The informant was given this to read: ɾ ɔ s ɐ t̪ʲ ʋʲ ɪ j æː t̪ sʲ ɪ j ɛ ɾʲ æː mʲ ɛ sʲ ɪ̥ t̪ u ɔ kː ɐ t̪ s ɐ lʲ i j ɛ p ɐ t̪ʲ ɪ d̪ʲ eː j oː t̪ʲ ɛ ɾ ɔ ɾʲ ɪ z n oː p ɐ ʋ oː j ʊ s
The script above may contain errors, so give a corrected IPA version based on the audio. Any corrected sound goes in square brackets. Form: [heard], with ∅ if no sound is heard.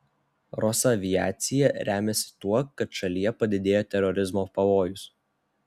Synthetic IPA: ɾ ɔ s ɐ [∅] ʋʲ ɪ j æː t̪ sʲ ɪ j ɛ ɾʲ æː mʲ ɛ sʲ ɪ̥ t̪ u ɔ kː ɐ t̪ [ʃ] ɐ lʲ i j ɛ p ɐ [d̪ʲ] ɪ d̪ʲ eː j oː t̪ʲ ɛ ɾ ɔ ɾʲ ɪ z [m] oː p ɐ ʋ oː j ʊ s

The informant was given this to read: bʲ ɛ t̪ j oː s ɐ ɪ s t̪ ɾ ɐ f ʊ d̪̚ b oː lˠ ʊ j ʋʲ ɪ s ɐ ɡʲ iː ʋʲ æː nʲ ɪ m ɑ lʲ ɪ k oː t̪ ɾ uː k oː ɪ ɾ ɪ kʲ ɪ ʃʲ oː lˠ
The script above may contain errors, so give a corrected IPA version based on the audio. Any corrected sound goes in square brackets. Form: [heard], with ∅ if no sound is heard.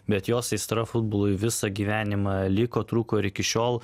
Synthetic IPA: bʲ ɛ t̪ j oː s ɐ ɪ s t̪ ɾ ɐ f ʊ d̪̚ b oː lˠ ʊ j ʋʲ ɪ s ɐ ɡʲ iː ʋʲ æː nʲ ɪ m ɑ lʲ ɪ k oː t̪ ɾ uː k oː ɪ ɾ ɪ kʲ ɪ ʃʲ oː lˠ

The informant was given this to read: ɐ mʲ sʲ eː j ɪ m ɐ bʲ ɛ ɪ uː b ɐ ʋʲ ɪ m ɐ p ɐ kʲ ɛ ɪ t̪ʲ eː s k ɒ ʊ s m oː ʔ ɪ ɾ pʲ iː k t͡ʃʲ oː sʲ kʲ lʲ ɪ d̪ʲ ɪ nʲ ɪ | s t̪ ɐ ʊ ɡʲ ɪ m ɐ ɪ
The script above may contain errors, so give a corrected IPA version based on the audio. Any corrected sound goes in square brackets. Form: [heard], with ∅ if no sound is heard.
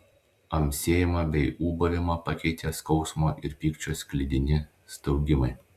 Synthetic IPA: ɐ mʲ sʲ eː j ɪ m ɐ bʲ ɛ ɪ uː b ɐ ʋʲ ɪ m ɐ p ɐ kʲ ɛ ɪ t̪ʲ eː s k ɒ ʊ s m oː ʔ ɪ ɾ pʲ iː k t͡ʃʲ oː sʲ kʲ lʲ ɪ d̪ʲ ɪ nʲ ɪ | s t̪ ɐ ʊ ɡʲ ɪ m ɐ ɪ

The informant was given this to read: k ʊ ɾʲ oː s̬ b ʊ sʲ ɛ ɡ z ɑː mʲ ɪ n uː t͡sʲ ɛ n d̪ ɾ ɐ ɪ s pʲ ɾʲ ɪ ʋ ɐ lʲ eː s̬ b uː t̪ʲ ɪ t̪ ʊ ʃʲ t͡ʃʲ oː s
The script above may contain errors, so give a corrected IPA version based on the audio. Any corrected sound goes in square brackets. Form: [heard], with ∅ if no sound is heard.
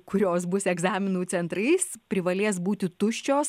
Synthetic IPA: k ʊ ɾʲ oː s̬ b ʊ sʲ ɛ ɡ z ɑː mʲ ɪ n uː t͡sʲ ɛ n [t̪] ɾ ɐ ɪ s pʲ ɾʲ ɪ ʋ ɐ lʲ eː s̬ b uː t̪ʲ ɪ t̪ ʊ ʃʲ t͡ʃʲ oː s

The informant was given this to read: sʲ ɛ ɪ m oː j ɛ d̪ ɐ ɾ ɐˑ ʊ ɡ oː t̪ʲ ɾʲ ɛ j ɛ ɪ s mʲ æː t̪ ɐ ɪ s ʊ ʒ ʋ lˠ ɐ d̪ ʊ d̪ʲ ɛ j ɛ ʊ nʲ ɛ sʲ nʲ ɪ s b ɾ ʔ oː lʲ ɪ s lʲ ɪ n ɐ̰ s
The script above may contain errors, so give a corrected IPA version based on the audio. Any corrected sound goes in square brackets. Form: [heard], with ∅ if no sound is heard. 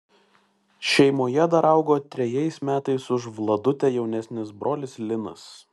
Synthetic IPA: [ʃʲ] ɛ ɪ m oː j ɛ d̪ ɐ ɾ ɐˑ ʊ ɡ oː t̪ʲ ɾʲ ɛ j ɛ ɪ s mʲ æː t̪ ɐ ɪ s ʊ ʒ ʋ lˠ ɐ d̪ ʊ [t̪ʲ] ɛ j ɛ ʊ nʲ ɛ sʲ nʲ ɪ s b ɾ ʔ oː lʲ ɪ s lʲ ɪ n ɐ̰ s

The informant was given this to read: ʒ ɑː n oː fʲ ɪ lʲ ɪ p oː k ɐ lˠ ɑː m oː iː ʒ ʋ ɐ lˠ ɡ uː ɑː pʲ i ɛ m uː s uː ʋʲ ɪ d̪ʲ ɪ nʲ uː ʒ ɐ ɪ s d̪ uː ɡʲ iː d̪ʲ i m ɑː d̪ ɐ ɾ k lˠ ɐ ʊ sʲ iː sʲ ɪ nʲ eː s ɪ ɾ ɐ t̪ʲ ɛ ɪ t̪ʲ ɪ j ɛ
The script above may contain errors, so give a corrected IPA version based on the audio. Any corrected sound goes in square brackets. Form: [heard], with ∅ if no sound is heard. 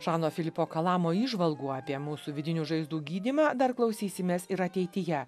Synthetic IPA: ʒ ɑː n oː fʲ ɪ lʲ ɪ p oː k ɐ lˠ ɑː m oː iː ʒ ʋ ɐ lˠ ɡ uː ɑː pʲ i ɛ m uː s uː ʋʲ ɪ d̪ʲ ɪ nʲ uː ʒ ɐ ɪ [z] d̪ uː ɡʲ iː d̪ʲ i m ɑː d̪ ɐ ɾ k lˠ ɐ ʊ sʲ iː sʲ ɪ [mʲ] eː s ɪ ɾ ɐ t̪ʲ ɛ ɪ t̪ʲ ɪ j ɛ

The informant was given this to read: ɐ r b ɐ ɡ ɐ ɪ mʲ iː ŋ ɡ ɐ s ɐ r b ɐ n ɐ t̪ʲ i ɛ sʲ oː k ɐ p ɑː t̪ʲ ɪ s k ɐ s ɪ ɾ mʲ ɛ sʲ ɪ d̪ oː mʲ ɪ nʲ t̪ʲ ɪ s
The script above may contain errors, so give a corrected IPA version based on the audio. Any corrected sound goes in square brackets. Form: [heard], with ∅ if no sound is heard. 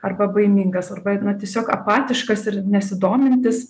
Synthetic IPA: ɐ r b ɐ [b] ɐ ɪ mʲ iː ŋ ɡ ɐ s ɐ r b ɐ n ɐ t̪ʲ i ɛ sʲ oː k ɐ p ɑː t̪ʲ ɪ [ʃ] k ɐ s ɪ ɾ [nʲ] ɛ sʲ ɪ d̪ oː mʲ ɪ nʲ t̪ʲ ɪ s

